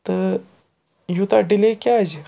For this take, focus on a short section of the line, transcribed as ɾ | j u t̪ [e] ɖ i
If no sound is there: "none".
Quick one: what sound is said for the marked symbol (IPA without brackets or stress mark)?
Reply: a